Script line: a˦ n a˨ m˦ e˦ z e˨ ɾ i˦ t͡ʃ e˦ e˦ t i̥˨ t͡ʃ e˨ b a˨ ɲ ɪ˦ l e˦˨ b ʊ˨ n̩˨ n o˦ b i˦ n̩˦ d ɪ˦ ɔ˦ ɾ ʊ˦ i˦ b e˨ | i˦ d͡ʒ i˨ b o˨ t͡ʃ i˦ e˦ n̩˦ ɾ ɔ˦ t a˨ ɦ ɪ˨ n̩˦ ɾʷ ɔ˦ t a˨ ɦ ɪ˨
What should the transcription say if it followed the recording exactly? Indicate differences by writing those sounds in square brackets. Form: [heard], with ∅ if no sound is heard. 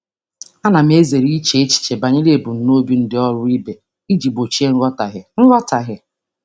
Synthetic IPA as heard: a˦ n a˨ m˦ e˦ z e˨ ɾ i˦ t͡ʃ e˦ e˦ [t͡ʃ] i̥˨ t͡ʃ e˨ b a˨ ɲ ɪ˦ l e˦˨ b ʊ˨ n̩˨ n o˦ b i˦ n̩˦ d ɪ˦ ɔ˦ ɾ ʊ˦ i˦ b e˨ | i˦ d͡ʒ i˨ b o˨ t͡ʃ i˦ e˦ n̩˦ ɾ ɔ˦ t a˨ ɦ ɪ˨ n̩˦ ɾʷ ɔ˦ t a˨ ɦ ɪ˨